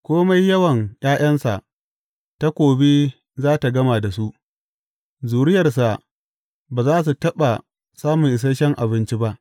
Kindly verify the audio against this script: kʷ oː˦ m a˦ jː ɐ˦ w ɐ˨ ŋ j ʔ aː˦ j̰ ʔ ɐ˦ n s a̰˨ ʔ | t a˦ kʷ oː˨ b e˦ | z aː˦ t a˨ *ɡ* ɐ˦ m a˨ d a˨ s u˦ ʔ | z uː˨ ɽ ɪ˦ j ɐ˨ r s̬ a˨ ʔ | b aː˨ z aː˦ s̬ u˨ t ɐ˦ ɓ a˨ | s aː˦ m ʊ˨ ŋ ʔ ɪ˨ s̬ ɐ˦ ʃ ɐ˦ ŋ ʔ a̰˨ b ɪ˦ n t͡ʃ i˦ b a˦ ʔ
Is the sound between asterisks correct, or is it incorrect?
correct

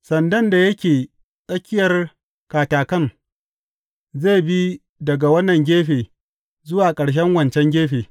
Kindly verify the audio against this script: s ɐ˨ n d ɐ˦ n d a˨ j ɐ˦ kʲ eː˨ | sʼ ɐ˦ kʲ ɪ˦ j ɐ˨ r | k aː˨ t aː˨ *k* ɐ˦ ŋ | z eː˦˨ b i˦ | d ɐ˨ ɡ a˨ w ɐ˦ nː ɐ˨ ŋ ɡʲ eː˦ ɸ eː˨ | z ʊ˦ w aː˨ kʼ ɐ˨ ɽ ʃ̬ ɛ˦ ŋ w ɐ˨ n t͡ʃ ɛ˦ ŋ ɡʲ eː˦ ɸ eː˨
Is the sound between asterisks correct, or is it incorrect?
correct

